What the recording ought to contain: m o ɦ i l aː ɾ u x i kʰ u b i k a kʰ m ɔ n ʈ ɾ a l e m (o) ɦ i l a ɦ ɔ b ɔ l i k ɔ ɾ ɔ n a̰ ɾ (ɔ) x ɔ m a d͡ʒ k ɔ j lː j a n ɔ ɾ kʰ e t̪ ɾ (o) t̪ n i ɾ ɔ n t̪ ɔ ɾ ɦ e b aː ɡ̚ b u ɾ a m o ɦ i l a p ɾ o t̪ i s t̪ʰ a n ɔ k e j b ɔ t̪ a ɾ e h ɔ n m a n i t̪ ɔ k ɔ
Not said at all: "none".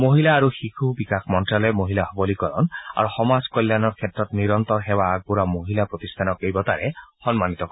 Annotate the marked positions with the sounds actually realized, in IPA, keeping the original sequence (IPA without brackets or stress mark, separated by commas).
o, u, ɔ